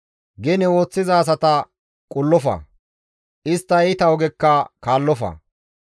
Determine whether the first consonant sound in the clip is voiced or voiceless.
voiced